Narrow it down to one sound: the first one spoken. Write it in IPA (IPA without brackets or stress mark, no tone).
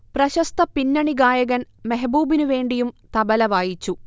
p